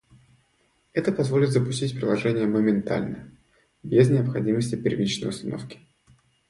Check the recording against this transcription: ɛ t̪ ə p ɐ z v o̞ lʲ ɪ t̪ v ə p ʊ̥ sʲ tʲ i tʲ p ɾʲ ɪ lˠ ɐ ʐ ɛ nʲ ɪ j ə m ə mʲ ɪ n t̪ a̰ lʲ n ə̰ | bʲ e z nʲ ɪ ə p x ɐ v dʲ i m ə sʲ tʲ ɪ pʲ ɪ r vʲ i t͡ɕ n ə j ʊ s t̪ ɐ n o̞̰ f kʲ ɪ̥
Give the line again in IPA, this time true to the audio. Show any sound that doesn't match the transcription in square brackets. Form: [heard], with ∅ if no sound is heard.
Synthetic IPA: ɛ t̪ ə p ɐ z v o̞ lʲ ɪ t̪ [z] ə p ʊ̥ sʲ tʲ i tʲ p ɾʲ ɪ lˠ ɐ ʐ ɛ nʲ ɪ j ə m ə mʲ ɪ n t̪ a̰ lʲ n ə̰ | bʲ e z nʲ ɪ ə p x ɐ [∅] dʲ i m ə sʲ tʲ ɪ pʲ ɪ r vʲ i t͡ɕ n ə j ʊ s t̪ ɐ n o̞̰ f kʲ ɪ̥